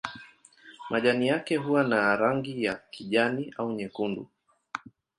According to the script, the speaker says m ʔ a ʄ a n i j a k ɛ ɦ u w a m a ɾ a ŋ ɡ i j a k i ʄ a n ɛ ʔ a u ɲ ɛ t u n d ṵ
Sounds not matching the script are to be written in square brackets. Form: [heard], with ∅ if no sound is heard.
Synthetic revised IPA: m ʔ a ʄ a n i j a k ɛ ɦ u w a [n] a ɾ a ŋ ɡ i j a k i ʄ a n [i] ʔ a u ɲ ɛ [k] u n d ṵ